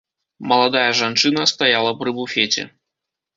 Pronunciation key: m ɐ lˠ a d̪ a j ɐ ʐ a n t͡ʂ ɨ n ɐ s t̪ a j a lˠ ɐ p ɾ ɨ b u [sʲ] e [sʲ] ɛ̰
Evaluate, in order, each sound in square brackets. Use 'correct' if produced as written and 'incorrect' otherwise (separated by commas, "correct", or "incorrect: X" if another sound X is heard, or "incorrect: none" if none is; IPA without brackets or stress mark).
incorrect: fʲ, incorrect: t͡sʲ